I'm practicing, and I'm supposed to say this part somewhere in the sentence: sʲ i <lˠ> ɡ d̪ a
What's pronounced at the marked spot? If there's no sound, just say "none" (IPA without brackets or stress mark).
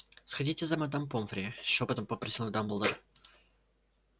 lˠ